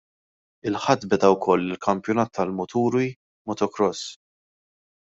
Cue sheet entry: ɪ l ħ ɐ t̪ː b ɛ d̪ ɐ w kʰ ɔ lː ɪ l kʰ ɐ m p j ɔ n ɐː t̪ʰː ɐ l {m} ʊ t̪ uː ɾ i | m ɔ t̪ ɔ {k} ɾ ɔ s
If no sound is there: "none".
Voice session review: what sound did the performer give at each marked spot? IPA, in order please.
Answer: m, k

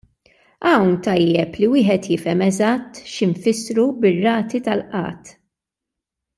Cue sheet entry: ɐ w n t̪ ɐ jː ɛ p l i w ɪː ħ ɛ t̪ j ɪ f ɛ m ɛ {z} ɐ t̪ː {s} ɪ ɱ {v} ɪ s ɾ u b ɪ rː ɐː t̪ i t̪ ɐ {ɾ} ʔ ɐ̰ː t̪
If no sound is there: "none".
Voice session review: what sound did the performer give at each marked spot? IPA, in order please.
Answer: z, ʃ, f, l

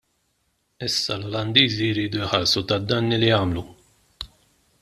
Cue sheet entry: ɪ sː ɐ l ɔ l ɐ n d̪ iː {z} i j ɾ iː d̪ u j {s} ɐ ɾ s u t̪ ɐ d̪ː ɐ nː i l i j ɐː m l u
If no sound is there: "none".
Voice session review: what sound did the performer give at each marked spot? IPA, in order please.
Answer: z, ħ

